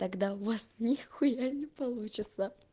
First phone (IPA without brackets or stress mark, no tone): t̪